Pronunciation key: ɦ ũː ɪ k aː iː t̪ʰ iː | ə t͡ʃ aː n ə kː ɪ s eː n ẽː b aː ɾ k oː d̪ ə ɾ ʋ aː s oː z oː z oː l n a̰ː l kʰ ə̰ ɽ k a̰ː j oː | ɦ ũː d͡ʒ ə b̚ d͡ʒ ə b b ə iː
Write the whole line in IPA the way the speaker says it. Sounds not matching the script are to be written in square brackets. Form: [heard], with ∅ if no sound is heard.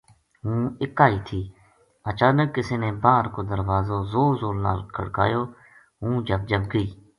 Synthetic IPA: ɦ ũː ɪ k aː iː t̪ʰ iː | ə t͡ʃ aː n ə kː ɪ s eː n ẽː b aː ɾ k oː d̪ ə ɾ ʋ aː [z] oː z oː z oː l n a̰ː l kʰ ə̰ ɽ k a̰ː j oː | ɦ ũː d͡ʒ ə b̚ d͡ʒ ə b [ɡ] ə iː